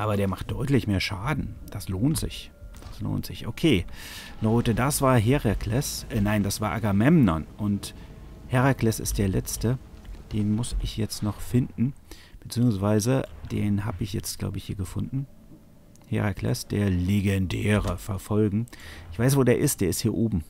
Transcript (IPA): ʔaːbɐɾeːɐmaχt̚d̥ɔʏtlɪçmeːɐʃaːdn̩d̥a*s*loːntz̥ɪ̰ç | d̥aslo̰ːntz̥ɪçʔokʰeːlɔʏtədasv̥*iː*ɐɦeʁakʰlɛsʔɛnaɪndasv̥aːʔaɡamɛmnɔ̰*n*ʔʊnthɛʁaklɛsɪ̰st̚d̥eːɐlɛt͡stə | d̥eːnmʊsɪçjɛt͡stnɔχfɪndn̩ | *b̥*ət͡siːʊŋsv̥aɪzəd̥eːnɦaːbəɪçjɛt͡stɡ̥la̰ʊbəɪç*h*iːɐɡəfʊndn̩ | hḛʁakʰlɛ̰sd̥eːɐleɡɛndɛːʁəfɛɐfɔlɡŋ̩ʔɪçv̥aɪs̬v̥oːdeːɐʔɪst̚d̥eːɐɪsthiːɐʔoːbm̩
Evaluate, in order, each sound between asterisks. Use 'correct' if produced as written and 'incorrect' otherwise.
correct, incorrect: aː, correct, correct, correct

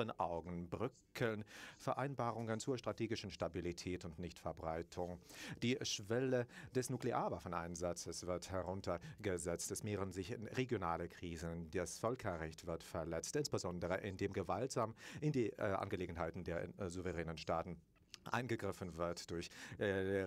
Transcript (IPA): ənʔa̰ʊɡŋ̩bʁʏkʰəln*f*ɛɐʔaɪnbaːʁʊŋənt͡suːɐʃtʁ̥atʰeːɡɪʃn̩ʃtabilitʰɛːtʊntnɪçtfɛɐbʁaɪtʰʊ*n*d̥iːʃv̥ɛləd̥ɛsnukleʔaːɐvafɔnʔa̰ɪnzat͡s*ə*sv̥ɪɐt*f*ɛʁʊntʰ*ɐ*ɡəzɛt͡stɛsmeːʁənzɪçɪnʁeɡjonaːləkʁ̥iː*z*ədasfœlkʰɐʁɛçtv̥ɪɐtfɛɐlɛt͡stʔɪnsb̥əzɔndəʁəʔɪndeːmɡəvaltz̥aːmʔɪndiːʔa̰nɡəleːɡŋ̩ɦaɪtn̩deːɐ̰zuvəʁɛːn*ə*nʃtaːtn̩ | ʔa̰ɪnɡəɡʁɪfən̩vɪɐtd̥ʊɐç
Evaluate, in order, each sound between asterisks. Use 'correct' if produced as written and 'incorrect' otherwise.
correct, incorrect: ŋ, correct, incorrect: h, correct, correct, correct

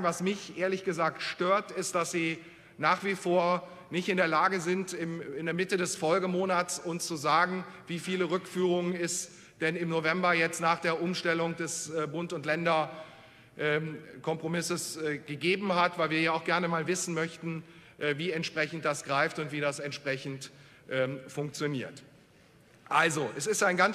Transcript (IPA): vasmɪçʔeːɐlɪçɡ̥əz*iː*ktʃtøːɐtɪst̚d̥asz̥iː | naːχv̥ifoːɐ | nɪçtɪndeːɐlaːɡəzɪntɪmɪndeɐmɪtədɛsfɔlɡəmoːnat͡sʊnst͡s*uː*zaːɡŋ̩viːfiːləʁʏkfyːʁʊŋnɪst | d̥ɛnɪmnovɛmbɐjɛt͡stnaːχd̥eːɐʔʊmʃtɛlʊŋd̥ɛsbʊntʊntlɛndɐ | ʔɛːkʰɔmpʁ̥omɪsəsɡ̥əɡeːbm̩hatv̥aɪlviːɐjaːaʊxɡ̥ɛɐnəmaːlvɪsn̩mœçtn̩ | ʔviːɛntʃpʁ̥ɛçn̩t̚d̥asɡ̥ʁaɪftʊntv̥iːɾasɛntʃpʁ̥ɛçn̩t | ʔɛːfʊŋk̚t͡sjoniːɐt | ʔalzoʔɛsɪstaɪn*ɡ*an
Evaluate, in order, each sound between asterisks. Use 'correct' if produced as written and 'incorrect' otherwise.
incorrect: aː, incorrect: u, correct

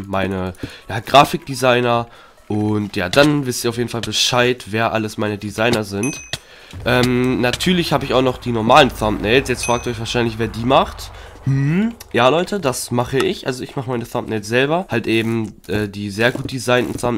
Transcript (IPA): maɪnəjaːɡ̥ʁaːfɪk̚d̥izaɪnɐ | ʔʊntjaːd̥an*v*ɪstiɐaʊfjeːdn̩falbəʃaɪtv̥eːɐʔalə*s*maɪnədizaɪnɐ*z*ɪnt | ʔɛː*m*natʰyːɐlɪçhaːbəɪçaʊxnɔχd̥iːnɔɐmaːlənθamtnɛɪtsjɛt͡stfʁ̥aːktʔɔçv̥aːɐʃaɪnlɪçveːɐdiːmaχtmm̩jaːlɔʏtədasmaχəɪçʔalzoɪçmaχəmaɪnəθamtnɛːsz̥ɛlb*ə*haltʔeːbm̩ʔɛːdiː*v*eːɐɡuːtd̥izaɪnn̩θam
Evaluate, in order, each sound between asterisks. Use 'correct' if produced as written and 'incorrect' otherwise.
correct, correct, correct, correct, incorrect: ɐ, incorrect: z

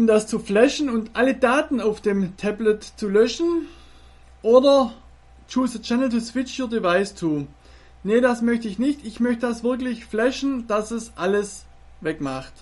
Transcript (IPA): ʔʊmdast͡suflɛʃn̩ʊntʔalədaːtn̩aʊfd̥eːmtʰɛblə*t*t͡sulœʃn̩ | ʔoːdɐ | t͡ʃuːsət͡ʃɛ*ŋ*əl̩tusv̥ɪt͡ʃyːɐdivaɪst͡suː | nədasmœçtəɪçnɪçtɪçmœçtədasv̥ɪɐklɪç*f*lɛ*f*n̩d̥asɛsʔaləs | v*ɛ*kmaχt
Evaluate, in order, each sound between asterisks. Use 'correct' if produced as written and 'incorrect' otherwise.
correct, incorrect: n, correct, incorrect: ʃ, correct

